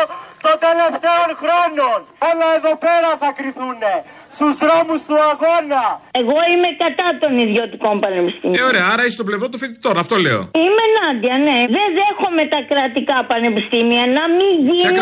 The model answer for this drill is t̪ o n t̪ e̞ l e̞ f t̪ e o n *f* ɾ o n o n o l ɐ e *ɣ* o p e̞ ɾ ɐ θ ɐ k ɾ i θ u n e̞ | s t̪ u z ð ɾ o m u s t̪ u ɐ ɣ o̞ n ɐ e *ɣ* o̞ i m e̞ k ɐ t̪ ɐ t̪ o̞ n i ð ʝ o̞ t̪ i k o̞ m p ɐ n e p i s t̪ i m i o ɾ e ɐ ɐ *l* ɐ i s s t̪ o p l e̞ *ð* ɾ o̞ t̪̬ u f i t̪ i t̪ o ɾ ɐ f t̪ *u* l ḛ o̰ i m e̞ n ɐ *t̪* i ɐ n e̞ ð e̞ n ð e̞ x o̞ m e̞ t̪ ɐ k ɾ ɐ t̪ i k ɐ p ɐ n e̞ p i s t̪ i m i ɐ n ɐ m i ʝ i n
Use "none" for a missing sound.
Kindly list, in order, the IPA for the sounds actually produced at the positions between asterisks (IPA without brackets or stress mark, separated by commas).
x, ð, ɣ, ɾ, v, o, d̪